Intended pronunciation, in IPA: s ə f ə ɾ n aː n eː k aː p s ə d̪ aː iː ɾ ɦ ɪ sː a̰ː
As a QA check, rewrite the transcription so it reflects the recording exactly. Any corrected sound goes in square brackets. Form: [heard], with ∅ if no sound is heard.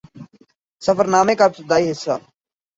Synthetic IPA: s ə f ə ɾ n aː [m] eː k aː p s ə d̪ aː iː [∅] ɦ ɪ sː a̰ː